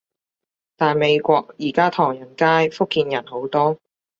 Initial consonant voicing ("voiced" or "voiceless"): voiceless